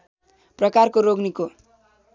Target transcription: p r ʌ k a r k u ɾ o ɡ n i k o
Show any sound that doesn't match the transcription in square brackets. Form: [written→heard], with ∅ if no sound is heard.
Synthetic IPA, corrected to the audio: p r ʌ k a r k [u→o] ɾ o ɡ n i k o

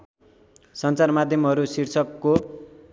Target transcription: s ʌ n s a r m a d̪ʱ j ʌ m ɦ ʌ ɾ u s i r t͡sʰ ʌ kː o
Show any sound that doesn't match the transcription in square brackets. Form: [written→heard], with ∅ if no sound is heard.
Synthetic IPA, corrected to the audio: s ʌ n [s→t͡s] a r m a d̪ʱ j ʌ m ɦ ʌ ɾ u s i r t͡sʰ ʌ kː o

